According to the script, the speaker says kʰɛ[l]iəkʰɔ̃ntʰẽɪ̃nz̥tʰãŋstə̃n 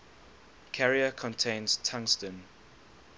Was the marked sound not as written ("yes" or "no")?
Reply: yes